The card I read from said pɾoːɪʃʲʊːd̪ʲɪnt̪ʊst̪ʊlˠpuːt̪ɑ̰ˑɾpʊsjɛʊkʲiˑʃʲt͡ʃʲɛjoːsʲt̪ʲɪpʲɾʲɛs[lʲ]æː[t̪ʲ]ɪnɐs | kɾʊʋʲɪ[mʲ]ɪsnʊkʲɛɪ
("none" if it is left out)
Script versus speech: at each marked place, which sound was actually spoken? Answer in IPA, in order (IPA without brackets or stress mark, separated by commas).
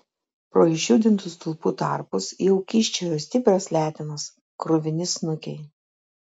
lʲ, t̪ʲ, nʲ